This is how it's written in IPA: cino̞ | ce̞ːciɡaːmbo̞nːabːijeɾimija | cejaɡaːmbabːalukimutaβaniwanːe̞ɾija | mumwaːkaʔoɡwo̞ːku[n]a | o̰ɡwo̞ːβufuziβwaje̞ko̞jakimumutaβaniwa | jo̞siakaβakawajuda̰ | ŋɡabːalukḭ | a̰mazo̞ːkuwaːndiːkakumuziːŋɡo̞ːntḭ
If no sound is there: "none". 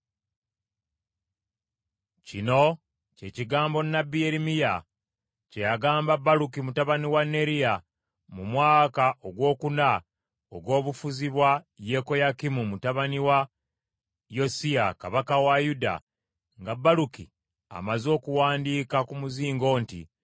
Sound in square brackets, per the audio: n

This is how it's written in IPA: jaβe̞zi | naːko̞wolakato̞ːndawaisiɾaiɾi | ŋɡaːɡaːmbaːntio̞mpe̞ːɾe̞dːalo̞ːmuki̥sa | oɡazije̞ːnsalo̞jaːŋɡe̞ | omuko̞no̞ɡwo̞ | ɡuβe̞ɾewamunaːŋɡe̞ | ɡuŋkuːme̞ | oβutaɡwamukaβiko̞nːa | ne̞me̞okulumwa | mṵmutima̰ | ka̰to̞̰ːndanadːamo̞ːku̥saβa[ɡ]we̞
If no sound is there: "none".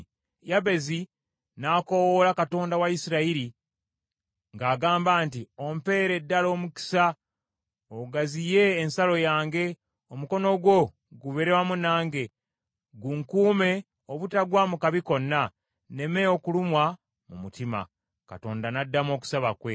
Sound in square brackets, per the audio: k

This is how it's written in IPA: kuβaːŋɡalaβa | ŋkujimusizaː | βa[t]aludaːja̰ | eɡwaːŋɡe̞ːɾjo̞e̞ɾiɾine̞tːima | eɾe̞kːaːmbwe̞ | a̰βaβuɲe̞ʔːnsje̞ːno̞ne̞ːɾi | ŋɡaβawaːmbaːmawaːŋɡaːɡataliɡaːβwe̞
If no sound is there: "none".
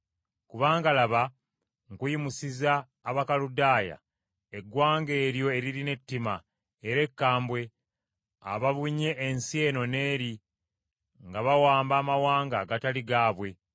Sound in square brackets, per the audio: k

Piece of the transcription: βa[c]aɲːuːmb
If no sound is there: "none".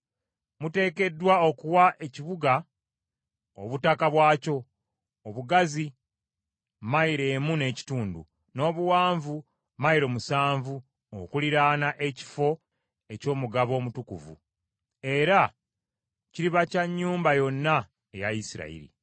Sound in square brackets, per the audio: c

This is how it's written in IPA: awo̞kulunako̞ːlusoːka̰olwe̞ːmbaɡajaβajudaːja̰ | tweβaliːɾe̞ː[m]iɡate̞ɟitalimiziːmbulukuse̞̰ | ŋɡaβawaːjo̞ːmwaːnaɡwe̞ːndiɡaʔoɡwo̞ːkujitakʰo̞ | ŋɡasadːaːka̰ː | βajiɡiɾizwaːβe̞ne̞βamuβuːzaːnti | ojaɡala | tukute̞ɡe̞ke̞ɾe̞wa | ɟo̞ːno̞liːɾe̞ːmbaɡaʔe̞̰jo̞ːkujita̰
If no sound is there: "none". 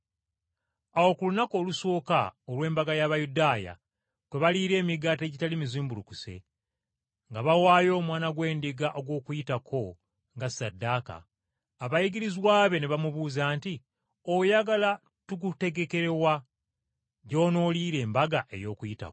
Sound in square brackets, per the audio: m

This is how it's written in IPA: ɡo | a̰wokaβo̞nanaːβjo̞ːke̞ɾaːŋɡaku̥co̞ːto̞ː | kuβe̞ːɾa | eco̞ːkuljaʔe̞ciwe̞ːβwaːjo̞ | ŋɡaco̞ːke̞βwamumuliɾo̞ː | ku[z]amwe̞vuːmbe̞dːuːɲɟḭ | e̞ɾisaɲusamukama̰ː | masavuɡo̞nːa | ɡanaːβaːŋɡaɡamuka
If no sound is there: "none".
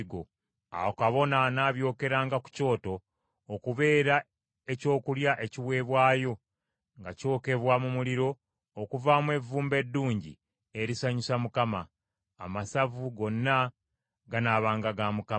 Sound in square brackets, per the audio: v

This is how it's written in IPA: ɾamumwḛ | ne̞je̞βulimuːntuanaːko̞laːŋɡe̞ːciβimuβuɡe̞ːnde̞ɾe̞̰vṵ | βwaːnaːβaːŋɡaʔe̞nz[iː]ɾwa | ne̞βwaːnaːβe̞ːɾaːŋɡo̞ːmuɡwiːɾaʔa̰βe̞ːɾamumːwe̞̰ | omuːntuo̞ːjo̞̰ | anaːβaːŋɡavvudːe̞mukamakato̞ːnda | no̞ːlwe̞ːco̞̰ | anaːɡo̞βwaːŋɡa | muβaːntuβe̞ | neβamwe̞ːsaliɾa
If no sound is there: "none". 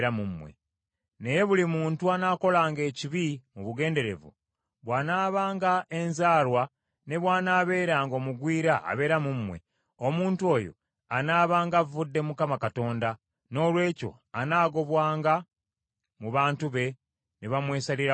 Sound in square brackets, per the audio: aː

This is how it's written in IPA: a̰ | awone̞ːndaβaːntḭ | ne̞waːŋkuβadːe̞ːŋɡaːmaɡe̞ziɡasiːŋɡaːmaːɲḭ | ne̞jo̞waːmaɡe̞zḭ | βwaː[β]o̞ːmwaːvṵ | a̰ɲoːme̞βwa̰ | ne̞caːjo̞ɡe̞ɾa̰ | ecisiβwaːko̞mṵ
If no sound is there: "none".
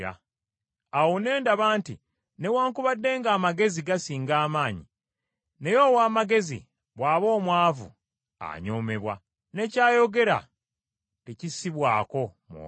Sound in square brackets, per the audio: β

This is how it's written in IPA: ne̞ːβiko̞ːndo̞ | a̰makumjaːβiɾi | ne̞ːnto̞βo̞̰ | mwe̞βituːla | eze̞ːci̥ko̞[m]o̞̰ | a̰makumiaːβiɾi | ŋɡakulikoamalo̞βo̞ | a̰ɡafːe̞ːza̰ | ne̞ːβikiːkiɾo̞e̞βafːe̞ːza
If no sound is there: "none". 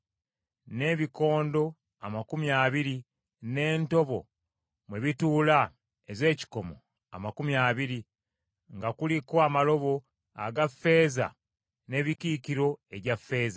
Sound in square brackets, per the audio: m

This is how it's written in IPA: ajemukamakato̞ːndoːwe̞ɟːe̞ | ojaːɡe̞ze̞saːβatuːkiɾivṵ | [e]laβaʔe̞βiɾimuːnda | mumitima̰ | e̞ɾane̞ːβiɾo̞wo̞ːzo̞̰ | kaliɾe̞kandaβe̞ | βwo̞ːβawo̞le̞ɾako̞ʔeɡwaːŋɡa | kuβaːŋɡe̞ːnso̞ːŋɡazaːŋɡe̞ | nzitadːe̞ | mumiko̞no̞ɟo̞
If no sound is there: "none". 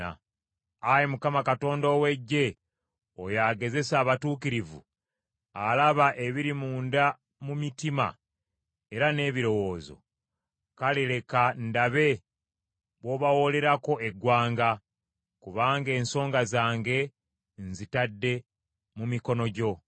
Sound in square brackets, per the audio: a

